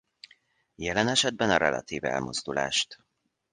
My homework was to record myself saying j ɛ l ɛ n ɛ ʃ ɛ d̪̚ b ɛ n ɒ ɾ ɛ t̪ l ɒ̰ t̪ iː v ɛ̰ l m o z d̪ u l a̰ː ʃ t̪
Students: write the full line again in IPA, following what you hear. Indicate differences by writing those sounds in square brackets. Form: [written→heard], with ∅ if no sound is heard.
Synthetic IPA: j ɛ l ɛ n ɛ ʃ ɛ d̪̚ b ɛ n ɒ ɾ ɛ [t̪→∅] l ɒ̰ t̪ iː v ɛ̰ l m o z d̪ u l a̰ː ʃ t̪